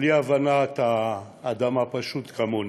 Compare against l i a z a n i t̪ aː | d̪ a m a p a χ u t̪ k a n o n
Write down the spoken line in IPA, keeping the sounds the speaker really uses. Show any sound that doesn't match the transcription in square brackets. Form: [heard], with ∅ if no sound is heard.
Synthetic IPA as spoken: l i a [v] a n [a] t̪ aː | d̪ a m a p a [ʃ] u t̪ k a [m] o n